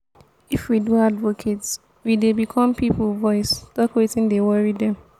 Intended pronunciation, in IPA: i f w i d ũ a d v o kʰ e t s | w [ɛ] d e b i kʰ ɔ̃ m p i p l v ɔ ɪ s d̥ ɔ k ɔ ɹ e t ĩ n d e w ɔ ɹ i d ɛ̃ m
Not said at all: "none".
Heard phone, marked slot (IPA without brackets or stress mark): i